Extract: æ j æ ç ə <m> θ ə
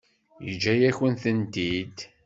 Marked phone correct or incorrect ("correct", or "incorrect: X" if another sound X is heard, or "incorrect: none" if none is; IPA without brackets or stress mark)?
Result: incorrect: n